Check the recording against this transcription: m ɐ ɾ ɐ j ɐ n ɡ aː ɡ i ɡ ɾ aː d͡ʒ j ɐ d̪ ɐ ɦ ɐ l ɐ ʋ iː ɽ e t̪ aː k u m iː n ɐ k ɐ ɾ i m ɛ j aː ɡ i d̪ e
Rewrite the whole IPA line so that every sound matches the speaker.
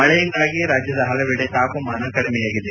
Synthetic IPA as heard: m ɐ ɭ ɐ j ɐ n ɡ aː ɡ i ɾ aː d͡ʒ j ɐ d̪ ɐ ɦ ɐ l ɐ ʋ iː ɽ e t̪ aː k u m aː n ɐ k ɐ ɽ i m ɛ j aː ɡ i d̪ e